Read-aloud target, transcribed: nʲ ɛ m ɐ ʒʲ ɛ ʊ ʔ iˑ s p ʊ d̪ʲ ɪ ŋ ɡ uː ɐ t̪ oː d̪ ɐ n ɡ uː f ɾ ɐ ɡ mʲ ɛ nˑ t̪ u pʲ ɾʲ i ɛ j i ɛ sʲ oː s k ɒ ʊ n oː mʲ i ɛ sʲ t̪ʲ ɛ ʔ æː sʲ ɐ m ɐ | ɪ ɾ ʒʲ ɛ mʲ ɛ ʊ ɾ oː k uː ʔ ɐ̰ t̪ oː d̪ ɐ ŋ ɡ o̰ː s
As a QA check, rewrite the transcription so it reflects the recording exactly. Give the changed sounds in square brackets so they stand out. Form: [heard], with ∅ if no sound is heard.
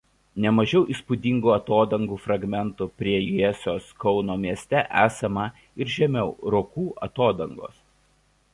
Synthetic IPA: nʲ ɛ m ɐ ʒʲ ɛ ʊ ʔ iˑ s p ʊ d̪ʲ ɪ ŋ ɡ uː ɐ t̪ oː d̪ ɐ [ŋ] ɡ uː f ɾ ɐ ɡ mʲ ɛ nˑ t̪ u pʲ ɾʲ i ɛ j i ɛ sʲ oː s k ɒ ʊ n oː mʲ i ɛ sʲ t̪ʲ ɛ ʔ æː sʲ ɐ m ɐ | ɪ ɾ ʒʲ ɛ mʲ ɛ ʊ ɾ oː k uː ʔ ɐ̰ t̪ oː d̪ ɐ ŋ ɡ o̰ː s